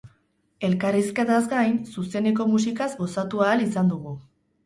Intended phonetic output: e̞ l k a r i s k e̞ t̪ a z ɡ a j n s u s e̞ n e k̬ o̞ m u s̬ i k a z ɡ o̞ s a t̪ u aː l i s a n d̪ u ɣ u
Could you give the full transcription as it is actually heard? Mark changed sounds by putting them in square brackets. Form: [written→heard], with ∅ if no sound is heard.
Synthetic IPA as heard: e̞ l k a r i s k e̞ t̪ a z ɡ a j n s u s e̞ n e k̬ o̞ m u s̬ i k a z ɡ o̞ s a t̪ u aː l i s a n d̪ u ɣ u